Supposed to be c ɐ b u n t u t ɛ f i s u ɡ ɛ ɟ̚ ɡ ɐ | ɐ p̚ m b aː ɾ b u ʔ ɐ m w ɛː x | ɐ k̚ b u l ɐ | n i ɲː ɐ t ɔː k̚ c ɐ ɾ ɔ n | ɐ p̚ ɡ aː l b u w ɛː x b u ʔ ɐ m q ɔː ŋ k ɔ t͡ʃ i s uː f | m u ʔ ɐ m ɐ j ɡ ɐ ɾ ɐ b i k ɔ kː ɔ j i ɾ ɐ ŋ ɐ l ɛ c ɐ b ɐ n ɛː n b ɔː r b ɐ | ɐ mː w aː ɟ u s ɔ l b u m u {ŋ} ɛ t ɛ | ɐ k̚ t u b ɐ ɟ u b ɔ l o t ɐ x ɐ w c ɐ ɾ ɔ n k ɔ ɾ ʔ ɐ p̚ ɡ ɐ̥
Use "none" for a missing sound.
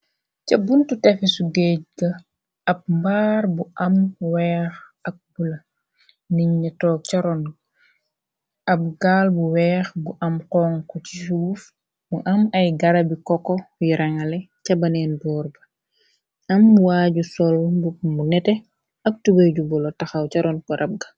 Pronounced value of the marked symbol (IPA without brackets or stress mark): n